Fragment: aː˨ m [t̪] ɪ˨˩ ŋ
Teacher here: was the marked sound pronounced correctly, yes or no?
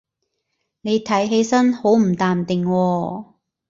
yes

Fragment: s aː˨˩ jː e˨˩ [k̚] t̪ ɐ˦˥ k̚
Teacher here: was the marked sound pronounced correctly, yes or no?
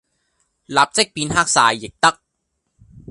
yes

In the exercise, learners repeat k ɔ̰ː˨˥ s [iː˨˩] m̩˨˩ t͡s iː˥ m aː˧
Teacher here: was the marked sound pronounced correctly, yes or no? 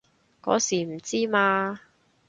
yes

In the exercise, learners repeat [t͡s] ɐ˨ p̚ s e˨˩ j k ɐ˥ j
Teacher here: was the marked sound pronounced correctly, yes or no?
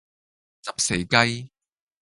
yes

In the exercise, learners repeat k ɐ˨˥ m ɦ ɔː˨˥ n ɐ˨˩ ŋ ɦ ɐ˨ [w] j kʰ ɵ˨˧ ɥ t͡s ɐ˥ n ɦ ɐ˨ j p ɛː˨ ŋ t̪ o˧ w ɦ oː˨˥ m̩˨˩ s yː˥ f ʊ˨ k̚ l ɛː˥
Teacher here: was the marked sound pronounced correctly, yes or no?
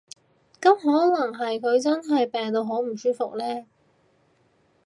no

